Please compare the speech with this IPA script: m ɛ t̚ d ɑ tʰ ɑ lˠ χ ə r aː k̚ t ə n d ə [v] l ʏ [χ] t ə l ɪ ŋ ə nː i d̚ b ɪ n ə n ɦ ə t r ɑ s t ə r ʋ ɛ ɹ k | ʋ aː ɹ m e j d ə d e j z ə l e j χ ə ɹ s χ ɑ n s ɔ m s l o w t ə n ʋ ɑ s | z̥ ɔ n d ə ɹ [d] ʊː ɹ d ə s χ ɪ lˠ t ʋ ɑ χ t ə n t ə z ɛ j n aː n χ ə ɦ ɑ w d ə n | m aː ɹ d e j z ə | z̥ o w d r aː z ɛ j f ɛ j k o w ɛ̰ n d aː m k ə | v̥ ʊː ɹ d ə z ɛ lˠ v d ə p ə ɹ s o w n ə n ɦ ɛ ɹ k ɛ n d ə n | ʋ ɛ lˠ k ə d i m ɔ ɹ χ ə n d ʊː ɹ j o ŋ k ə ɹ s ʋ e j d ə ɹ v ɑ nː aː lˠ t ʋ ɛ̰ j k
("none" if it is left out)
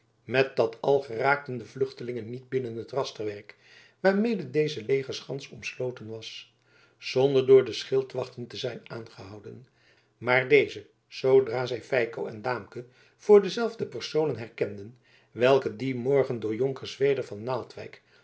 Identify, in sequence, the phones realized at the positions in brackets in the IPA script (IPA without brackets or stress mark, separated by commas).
v, χ, d